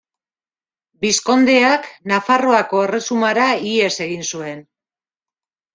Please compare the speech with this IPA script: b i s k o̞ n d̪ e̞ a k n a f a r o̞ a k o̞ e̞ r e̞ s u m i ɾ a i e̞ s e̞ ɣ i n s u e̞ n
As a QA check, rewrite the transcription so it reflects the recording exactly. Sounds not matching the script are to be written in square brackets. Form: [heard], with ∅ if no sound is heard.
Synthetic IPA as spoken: b i s k o̞ n d̪ e̞ a k n a f a r o̞ a k o̞ e̞ r e̞ s u m [a] ɾ a i e̞ s e̞ ɣ i n s u e̞ n